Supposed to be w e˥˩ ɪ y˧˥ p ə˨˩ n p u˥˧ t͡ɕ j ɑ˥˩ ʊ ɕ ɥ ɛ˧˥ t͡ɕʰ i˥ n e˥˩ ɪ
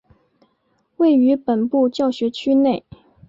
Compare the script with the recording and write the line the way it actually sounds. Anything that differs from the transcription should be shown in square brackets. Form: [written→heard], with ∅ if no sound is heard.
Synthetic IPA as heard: w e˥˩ ɪ y˧˥ p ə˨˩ n p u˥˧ t͡ɕ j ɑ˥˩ ʊ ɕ ɥ ɛ˧˥ t͡ɕʰ [i˥→y˥] n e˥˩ ɪ